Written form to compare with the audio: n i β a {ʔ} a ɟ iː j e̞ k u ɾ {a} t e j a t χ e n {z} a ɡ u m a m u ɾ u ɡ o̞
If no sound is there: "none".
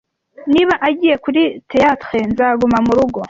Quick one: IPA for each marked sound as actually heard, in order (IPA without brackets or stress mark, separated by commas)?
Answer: ʔ, i, z